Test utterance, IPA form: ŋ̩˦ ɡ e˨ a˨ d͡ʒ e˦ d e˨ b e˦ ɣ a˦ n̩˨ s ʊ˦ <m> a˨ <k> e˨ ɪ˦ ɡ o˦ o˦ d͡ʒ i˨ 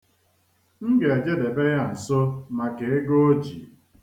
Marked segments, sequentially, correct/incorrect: correct, correct

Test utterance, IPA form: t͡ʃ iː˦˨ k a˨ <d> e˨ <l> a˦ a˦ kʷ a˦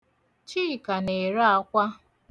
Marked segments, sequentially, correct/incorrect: incorrect, incorrect

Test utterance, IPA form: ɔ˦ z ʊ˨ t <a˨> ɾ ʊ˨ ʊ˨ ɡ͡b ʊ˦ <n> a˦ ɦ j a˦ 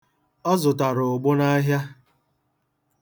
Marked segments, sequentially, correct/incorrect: correct, correct

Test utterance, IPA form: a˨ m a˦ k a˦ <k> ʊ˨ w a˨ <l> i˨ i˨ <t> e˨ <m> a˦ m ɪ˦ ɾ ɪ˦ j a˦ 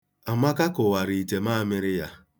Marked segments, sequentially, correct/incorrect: correct, incorrect, correct, correct

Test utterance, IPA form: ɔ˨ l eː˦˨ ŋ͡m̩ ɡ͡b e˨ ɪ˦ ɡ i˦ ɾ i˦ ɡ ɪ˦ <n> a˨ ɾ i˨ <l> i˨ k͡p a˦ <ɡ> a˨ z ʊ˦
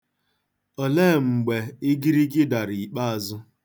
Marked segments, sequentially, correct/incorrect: incorrect, incorrect, incorrect

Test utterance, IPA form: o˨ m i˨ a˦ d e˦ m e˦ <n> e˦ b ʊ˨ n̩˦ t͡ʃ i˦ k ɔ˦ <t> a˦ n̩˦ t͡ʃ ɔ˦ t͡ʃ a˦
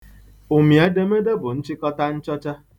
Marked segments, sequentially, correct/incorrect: incorrect, correct

